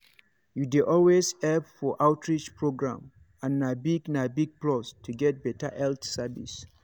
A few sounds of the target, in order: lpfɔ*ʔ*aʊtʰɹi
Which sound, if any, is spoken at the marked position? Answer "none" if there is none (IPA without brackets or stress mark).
ʔ